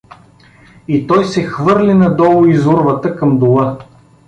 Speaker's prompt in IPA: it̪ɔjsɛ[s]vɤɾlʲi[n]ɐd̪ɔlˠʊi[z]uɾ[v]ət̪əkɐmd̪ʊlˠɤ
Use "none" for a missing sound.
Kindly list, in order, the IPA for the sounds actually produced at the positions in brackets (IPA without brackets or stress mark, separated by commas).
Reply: x, n, z, v